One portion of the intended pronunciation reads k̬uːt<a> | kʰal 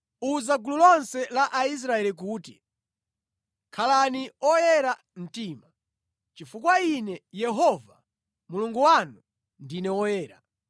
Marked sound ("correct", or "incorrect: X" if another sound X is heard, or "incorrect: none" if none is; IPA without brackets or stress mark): incorrect: i